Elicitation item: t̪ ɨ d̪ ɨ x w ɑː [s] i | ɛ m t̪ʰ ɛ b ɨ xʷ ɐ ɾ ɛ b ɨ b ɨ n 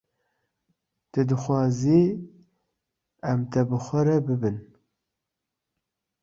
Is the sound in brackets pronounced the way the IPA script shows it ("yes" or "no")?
no